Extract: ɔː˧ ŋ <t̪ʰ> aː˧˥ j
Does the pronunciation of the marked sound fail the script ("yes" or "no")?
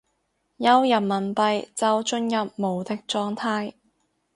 no